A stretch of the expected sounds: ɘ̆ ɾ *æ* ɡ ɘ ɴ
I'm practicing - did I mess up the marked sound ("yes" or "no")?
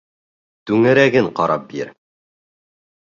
no